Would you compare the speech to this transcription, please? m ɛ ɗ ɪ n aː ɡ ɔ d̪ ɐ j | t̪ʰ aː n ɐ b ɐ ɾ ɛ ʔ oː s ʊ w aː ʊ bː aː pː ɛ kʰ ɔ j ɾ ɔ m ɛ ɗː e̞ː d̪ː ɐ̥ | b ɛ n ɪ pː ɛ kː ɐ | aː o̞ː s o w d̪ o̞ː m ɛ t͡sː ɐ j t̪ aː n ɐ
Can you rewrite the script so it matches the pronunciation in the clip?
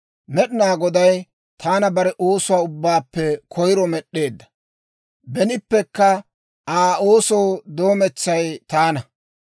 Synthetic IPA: m ɛ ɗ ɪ n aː ɡ ɔ d̪ ɐ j | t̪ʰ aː n ɐ b ɐ ɾ ɛ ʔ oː s ʊ w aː ʊ bː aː pː ɛ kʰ ɔ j ɾ ɔ m ɛ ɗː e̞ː d̪ː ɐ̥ | b ɛ n ɪ pː ɛ kː ɐ | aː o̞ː s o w d̪ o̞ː m ɛ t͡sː ɐ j t̪ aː n ɐ